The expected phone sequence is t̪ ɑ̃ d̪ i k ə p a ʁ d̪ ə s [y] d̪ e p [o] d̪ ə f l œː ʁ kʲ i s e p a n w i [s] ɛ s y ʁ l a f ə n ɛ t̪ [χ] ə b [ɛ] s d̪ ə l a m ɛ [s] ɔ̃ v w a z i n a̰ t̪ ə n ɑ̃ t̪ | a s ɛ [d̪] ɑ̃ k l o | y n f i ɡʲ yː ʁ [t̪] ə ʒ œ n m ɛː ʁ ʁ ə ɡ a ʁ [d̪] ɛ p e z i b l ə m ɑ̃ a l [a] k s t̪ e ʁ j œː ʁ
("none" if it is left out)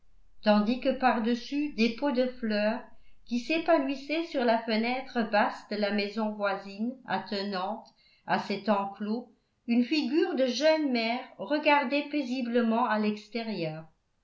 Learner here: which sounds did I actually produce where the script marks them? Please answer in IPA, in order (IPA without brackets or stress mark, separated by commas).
y, o, s, χ, a, z, t̪, d̪, d̪, ɛ